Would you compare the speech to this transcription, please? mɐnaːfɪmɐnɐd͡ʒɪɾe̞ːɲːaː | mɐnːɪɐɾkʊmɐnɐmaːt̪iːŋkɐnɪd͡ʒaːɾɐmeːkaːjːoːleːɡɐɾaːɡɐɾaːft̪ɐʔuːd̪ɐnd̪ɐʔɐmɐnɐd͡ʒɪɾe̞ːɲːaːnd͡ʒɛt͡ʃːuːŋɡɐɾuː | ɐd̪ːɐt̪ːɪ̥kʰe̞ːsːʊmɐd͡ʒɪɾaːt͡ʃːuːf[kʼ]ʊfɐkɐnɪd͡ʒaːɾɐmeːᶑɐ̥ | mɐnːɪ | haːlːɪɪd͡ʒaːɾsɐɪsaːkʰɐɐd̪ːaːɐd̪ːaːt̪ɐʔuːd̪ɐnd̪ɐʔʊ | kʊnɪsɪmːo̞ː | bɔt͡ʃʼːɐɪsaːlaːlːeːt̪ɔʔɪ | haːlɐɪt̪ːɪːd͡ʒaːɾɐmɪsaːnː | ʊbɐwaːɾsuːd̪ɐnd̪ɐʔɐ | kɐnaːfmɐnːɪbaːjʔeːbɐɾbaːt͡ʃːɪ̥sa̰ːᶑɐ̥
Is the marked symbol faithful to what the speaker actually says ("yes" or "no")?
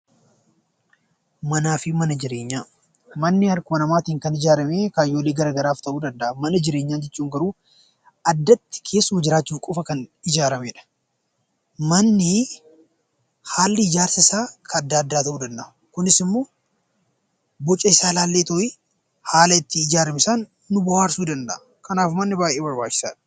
yes